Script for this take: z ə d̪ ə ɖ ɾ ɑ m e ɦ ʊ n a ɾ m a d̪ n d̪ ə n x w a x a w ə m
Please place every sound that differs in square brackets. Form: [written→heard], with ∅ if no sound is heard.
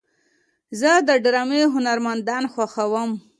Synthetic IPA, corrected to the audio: z ə d̪ ə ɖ ɾ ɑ m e ɦ ʊ n a ɾ m a [d̪→∅] n d̪ [ə→ɑ] n x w a x a w ə m